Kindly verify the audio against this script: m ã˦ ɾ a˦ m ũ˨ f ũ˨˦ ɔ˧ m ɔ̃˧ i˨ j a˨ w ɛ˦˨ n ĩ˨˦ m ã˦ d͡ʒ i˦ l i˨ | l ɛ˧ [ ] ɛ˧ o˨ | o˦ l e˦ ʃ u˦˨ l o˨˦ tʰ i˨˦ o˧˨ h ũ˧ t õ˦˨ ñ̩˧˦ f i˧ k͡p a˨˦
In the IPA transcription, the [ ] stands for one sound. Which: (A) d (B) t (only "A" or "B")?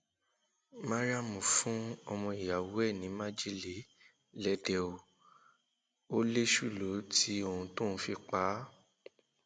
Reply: A